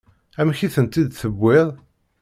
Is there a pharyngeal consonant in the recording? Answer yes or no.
no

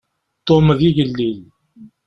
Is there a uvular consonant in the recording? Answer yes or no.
no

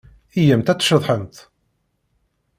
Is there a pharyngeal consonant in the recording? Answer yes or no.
yes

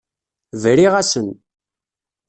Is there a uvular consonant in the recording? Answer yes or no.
yes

